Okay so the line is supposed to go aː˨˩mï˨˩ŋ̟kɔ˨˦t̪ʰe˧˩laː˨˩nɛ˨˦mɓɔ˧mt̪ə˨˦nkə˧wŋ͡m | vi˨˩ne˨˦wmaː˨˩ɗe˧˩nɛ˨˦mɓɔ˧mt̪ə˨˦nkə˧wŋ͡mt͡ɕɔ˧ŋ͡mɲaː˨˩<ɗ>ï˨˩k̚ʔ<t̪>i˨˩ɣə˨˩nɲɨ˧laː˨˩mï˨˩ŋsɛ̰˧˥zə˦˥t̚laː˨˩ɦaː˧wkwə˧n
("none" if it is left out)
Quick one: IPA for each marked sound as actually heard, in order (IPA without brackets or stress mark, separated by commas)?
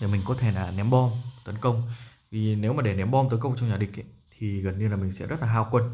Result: ɗ, t̪ʰ